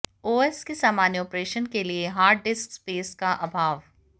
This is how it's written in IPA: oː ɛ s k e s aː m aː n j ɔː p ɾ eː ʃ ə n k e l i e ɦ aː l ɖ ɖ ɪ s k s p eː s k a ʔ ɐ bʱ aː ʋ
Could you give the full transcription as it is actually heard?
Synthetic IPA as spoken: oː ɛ s k e s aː m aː n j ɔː p ɾ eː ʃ ə n k e l i e ɦ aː ɾ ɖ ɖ ɪ s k s p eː s k a ʔ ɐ bʱ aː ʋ